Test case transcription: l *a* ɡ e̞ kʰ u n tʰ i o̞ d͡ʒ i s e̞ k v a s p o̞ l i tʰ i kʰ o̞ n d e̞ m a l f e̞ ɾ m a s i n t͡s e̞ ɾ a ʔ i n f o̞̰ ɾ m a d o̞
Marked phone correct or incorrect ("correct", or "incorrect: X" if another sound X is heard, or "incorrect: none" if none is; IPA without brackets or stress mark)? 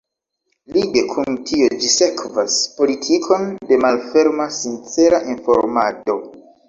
incorrect: i